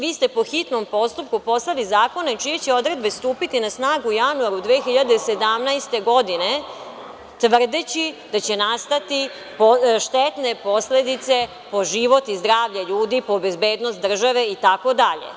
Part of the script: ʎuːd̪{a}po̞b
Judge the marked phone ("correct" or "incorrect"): incorrect